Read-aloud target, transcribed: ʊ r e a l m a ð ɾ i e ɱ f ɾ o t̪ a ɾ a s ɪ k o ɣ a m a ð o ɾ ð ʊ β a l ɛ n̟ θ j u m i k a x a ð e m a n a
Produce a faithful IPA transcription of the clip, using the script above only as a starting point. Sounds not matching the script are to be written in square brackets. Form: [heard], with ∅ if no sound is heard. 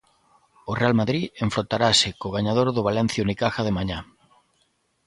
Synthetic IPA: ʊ r e a l m a ð ɾ i e ɱ f ɾ o t̪ a ɾ a s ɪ k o ɣ a [ɲ] a ð o ɾ ð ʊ β a l ɛ n̟ θ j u [n] i k a x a ð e m a [ɲ] a